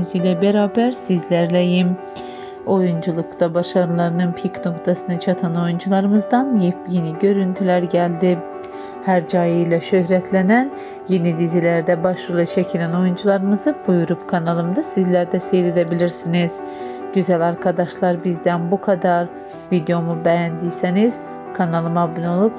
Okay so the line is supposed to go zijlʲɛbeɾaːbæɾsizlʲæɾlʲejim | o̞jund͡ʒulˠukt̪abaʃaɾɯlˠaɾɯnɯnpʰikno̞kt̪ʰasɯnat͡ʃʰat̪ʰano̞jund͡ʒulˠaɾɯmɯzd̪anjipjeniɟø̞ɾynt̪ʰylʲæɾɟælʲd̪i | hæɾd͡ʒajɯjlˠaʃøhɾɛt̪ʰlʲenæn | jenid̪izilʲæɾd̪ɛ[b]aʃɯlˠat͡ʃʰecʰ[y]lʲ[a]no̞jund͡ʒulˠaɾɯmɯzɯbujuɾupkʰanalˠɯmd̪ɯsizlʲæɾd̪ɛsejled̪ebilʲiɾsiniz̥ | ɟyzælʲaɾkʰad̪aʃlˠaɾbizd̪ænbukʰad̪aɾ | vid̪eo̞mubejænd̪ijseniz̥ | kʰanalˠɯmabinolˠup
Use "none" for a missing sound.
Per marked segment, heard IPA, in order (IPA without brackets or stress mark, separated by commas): b, i, æ